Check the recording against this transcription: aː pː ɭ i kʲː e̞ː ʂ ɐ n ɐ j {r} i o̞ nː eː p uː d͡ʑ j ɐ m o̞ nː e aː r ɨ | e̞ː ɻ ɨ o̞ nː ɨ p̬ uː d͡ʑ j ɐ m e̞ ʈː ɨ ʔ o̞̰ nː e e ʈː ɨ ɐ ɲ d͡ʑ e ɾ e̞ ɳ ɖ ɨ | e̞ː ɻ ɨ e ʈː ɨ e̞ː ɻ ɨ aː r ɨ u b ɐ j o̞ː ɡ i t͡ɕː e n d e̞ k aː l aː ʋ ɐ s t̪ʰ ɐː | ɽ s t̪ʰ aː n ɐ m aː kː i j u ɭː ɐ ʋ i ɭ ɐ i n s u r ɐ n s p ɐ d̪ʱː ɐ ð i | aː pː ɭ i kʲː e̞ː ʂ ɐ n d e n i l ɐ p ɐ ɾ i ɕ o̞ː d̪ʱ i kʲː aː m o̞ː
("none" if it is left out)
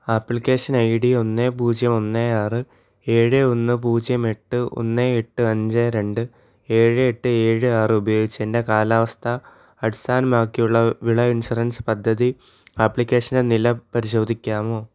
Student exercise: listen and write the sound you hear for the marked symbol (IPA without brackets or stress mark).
ɽ